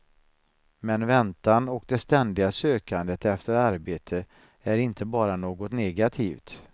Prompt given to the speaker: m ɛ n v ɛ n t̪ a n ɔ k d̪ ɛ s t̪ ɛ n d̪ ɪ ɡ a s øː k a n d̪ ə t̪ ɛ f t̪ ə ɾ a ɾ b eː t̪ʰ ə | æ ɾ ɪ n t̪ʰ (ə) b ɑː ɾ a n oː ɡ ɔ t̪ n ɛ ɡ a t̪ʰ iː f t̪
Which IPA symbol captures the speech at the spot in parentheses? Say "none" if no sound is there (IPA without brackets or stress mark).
ə